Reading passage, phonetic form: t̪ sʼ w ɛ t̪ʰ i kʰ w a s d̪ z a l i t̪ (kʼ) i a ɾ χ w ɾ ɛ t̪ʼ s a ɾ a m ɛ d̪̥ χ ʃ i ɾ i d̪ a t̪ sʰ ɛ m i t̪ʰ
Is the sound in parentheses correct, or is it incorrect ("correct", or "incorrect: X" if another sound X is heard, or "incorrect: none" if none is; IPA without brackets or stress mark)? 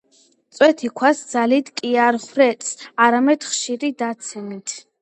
correct